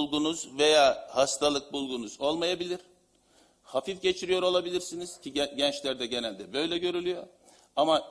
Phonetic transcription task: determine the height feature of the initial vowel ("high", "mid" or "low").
high